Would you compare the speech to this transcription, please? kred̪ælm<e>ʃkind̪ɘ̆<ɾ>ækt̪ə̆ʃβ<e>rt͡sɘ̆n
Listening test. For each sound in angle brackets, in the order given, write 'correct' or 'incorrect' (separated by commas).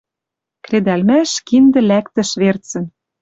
incorrect, incorrect, correct